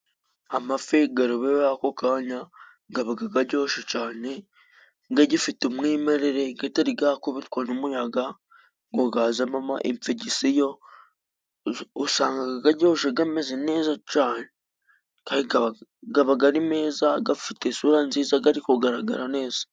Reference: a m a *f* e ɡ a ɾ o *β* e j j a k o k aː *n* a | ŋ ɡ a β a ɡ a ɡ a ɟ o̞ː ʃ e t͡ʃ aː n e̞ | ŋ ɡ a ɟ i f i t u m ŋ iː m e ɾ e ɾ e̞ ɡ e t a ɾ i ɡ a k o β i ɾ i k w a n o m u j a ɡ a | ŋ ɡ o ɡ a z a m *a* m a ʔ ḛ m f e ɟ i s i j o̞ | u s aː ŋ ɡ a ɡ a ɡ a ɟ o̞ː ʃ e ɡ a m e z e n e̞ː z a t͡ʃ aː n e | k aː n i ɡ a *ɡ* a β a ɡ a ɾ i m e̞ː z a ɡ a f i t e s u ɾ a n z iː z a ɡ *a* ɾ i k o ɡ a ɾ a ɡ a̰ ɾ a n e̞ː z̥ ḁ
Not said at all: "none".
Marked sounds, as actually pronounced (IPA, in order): f, β, ɲ, a, ɡ, a

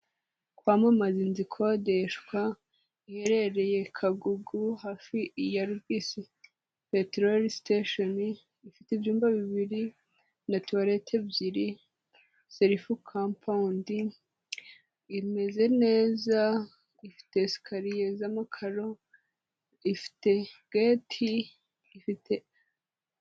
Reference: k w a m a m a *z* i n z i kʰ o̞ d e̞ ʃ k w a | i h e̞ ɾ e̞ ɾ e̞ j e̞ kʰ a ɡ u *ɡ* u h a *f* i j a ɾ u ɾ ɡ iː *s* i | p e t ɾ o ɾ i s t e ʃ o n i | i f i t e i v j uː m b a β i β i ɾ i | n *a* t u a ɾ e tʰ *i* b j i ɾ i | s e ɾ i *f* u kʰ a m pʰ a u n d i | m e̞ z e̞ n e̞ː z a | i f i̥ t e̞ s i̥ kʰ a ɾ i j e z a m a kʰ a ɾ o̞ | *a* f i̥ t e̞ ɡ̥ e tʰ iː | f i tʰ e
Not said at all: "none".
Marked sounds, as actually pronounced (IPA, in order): z, ɡ, f, s, a, e, f, i

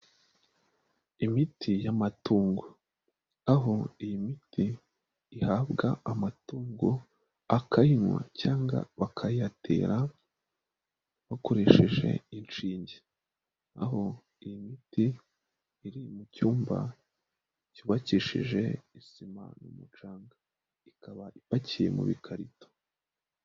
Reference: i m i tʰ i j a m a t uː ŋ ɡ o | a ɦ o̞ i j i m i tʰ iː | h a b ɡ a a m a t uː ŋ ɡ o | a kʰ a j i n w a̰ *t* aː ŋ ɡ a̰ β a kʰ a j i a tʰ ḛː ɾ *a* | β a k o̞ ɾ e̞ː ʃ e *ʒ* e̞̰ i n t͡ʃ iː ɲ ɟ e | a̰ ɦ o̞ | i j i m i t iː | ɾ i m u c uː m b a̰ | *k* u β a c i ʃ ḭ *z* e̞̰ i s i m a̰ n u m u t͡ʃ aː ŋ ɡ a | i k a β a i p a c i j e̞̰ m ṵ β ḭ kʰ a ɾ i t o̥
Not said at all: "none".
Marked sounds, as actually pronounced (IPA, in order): c, a, ʒ, c, ʒ

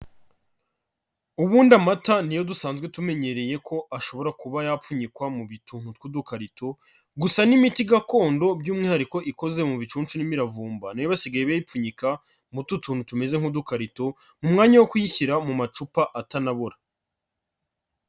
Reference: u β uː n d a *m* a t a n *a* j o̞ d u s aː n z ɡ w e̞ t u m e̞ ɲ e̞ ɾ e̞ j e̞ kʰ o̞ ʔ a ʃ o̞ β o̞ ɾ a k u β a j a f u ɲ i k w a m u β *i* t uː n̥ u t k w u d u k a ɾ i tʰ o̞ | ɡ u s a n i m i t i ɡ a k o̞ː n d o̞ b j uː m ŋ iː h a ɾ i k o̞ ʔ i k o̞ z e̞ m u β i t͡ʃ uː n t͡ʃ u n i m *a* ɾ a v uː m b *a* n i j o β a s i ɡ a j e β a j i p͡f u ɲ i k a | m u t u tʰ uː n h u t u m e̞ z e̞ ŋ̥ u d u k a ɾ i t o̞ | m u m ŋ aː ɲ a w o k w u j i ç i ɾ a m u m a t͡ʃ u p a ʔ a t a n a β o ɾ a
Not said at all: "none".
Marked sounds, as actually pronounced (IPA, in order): m, i, i, i, a

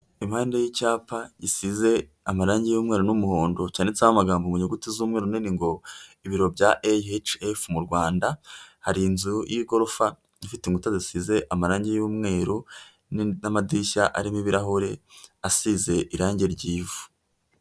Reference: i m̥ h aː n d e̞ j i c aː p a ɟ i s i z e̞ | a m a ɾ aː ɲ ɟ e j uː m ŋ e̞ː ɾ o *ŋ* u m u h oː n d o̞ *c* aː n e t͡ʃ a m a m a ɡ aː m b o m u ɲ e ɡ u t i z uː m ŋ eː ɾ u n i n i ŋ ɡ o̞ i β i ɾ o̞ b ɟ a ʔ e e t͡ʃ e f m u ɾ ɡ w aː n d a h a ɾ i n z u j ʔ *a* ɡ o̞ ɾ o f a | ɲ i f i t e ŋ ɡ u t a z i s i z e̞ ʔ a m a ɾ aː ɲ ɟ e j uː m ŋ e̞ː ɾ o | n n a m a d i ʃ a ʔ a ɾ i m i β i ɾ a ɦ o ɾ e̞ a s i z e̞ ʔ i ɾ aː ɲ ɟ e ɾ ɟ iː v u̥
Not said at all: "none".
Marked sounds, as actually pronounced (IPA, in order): n, c, i

